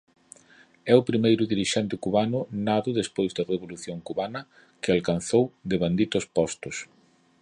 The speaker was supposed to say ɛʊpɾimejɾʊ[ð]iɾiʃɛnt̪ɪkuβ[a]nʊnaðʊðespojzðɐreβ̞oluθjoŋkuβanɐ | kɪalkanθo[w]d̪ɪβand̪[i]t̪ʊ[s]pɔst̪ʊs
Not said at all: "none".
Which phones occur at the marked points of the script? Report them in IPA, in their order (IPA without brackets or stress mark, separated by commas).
ð, a, w, i, s